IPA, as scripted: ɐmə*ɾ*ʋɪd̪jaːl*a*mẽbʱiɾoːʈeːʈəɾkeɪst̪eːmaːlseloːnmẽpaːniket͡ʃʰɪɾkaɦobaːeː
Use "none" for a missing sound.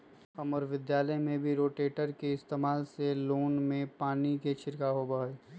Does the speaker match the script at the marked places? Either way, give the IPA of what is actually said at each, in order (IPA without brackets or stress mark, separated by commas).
ɾ, ə